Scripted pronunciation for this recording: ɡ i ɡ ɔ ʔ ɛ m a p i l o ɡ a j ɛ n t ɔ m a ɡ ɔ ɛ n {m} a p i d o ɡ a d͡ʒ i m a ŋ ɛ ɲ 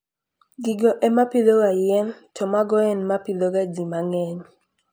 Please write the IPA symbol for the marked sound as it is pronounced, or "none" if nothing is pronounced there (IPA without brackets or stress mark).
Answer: m